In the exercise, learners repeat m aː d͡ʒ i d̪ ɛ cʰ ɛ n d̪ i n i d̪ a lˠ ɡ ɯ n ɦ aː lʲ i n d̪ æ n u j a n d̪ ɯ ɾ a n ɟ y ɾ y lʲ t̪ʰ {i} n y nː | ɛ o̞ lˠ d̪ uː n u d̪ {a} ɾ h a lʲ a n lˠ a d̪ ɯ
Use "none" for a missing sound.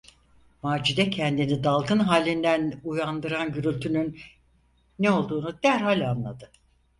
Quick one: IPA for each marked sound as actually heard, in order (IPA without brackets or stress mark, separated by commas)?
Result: y, æ